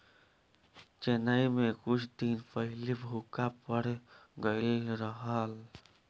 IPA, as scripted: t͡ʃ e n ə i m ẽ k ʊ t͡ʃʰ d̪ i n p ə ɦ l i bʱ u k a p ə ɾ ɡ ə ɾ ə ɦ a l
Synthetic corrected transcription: t͡ʃ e n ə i m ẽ k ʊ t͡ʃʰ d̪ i n p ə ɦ l i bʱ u k a p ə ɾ ɡ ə ɾ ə ɦ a l